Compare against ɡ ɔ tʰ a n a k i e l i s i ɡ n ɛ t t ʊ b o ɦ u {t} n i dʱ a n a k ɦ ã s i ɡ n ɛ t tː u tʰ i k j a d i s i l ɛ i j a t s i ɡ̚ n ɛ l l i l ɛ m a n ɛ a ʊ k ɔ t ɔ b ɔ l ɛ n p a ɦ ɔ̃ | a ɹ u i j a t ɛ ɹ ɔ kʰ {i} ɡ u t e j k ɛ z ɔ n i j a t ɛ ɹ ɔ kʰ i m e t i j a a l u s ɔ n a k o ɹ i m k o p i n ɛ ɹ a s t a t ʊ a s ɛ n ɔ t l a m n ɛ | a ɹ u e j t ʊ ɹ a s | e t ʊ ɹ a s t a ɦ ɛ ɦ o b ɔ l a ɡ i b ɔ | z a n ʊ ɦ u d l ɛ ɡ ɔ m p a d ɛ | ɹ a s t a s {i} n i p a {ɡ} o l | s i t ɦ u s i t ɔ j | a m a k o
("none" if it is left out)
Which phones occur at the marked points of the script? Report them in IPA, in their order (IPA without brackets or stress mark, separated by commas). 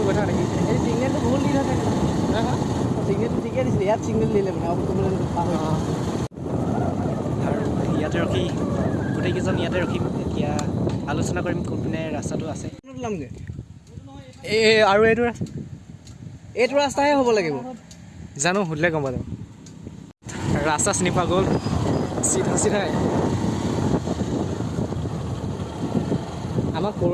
t, i, i, ɡ